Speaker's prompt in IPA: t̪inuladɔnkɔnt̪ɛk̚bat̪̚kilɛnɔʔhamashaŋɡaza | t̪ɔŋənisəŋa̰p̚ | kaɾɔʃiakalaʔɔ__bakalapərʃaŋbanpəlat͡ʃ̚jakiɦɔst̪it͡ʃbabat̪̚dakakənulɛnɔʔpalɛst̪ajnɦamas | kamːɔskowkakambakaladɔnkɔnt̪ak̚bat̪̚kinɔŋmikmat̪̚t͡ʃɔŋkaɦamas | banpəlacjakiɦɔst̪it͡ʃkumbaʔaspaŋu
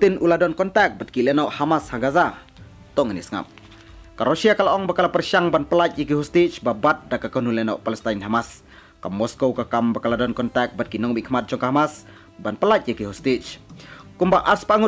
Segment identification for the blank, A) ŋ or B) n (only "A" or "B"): A